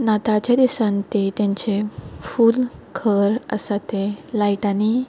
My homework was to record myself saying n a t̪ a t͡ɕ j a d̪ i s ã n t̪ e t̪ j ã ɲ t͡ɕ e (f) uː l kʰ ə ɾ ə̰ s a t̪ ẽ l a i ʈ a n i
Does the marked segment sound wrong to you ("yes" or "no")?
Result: no